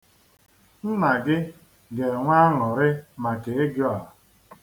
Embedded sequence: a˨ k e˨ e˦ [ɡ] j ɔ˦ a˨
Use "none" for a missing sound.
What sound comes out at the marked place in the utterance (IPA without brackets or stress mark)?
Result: ɡ